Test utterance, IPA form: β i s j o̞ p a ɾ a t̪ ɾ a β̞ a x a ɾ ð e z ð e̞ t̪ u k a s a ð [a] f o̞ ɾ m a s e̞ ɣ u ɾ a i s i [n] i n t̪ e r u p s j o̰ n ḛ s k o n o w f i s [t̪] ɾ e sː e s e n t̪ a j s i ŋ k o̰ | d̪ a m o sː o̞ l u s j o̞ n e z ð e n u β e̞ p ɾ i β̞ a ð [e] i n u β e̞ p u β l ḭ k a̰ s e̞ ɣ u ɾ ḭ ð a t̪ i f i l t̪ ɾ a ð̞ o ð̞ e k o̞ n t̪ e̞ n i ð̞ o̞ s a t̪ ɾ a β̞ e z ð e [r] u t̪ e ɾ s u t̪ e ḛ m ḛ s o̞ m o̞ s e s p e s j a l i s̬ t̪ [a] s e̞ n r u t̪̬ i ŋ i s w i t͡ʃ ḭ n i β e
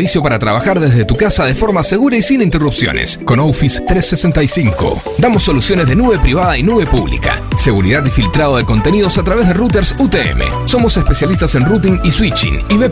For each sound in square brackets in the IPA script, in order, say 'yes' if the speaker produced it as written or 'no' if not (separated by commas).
no, yes, yes, no, yes, yes